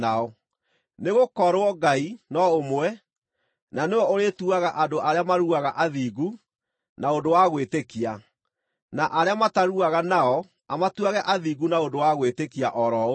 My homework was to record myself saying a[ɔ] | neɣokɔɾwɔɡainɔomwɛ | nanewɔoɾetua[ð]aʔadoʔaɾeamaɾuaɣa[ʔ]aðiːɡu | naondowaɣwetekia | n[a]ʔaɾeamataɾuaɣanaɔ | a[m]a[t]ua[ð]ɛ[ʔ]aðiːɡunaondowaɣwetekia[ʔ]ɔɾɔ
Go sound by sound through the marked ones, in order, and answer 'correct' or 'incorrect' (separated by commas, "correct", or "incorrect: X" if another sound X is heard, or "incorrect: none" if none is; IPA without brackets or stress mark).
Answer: correct, incorrect: ɣ, correct, correct, correct, correct, incorrect: ɣ, correct, correct